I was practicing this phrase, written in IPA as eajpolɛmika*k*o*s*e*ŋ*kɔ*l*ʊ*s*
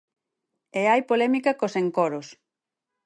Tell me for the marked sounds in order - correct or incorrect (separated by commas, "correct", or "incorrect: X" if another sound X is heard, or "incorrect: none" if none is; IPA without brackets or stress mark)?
correct, correct, correct, incorrect: ɾ, correct